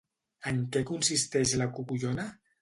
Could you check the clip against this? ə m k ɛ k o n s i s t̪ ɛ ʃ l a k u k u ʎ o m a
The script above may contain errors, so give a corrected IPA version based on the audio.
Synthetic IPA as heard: ə ŋ k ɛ k u n s i s t̪ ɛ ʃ l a k u k u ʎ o n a